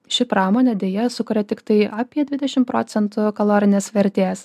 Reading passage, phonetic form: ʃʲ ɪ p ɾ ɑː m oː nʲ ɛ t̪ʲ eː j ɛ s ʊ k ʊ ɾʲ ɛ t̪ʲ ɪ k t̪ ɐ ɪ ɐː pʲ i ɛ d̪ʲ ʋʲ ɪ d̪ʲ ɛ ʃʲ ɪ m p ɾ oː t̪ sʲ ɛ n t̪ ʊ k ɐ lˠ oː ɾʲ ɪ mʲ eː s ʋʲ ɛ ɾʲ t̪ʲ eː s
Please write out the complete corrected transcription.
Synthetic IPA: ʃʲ ɪ p ɾ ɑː m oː nʲ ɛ d̪ʲ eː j ɛ s ʊ k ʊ ɾʲ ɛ t̪ʲ ɪ k t̪ ɐ ɪ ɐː pʲ i ɛ d̪ʲ ʋʲ ɪ d̪ʲ ɛ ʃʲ ɪ m p ɾ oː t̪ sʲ ɛ n t̪ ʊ k ɐ lˠ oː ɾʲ ɪ nʲ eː s ʋʲ ɛ ɾʲ t̪ʲ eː s